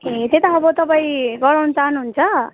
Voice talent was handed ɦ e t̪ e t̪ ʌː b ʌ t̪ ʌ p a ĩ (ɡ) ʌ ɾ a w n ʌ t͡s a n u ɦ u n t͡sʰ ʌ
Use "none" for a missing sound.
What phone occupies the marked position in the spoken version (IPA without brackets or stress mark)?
ɡ